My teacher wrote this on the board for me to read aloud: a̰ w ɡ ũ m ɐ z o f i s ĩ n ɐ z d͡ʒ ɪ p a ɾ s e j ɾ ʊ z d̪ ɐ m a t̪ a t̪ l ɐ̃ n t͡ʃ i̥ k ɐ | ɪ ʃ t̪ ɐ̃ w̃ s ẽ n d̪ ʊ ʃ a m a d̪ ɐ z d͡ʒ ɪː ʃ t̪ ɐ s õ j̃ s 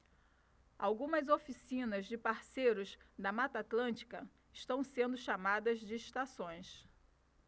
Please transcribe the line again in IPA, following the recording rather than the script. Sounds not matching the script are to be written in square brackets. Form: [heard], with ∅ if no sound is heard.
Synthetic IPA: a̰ w ɡ ũ m ɐ z o f i s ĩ n ɐ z d͡ʒ ɪ p a ɾ s e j ɾ ʊ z d̪ ɐ m a t̪ a t̪ l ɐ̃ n t͡ʃ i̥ k ɐ | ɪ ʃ t̪ ɐ̃ w̃ s ẽ n d̪ ʊ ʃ a m a d̪ ɐ z d͡ʒ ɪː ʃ t̪ [a] s õ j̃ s